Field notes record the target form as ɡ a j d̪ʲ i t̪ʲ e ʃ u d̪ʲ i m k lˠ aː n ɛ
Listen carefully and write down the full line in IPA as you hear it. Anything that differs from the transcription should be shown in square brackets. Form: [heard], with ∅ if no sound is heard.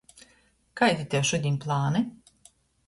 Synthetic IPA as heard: [k] a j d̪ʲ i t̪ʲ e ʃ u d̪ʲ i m [p] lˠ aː n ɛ